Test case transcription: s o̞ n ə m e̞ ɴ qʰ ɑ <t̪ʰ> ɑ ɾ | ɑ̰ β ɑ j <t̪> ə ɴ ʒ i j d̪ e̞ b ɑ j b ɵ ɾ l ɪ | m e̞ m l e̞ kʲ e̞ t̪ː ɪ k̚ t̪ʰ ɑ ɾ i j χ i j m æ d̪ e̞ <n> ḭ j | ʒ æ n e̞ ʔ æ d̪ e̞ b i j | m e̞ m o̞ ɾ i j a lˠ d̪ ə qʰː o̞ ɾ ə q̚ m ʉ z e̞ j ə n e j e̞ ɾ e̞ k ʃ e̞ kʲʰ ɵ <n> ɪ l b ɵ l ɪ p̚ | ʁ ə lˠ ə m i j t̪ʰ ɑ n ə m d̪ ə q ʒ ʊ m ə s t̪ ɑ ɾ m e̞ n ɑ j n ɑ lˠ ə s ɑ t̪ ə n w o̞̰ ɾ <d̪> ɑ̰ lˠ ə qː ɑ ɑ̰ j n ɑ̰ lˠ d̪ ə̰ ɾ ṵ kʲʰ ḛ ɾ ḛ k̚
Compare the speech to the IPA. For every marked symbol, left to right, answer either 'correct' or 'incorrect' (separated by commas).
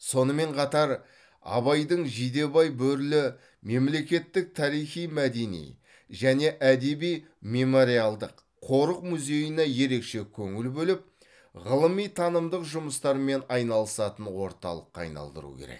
incorrect, incorrect, correct, incorrect, incorrect